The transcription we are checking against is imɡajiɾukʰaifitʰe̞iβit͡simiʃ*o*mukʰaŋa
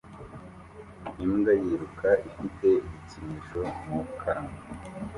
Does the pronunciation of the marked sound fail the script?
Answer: no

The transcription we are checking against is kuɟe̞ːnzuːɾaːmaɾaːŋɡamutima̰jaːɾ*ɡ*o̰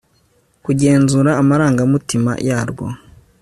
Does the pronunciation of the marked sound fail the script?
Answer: no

